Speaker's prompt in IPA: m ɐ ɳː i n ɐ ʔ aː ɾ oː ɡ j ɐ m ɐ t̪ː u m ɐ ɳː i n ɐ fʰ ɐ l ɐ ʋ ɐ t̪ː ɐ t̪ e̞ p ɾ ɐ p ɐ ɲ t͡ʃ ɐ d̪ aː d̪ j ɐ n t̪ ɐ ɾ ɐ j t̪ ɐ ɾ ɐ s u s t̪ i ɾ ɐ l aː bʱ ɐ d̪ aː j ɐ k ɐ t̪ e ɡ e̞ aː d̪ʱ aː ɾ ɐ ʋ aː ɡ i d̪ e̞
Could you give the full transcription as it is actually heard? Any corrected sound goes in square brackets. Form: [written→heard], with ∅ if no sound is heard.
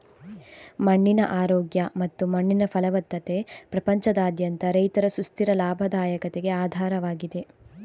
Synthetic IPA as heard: m ɐ ɳː i n ɐ ʔ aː ɾ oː ɡ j ɐ m ɐ t̪ː u m ɐ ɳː i n ɐ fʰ ɐ l ɐ ʋ ɐ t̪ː ɐ t̪ e̞ p ɾ ɐ p ɐ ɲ t͡ʃ ɐ d̪ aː d̪ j ɐ n t̪ ɐ ɾ ɐ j t̪ ɐ ɾ ɐ s u s t̪ i ɾ ɐ l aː bʱ ɐ d̪ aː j ɐ k ɐ t̪ e ɡ e̞ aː d̪ʱ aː ɾ ɐ ʋ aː ɡ i d̪ e̞